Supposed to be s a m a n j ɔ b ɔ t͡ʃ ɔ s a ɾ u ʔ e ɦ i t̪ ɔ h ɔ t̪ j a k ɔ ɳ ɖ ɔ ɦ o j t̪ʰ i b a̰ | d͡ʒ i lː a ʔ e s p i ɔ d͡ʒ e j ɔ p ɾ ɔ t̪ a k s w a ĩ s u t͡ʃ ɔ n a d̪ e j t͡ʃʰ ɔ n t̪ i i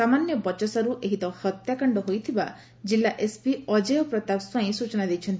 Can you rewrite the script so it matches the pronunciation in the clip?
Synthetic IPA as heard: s a m a n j ɔ b ɔ t͡ʃ ɔ s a ɾ u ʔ e ɦ i t̪ ɔ h ɔ t̪ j a k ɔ ɳ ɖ ɔ ɦ o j t̪ʰ i b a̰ | d͡ʒ i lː a ʔ e s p i ɔ d͡ʒ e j ɔ p ɾ ɔ t̪ a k s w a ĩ s u t͡ʃ ɔ n a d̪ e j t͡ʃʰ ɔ n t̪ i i